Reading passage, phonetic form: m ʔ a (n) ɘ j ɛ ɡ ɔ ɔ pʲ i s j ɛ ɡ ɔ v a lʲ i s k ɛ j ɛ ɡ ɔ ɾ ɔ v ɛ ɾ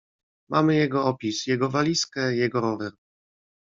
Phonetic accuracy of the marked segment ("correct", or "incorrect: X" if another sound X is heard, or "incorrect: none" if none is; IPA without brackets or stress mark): incorrect: m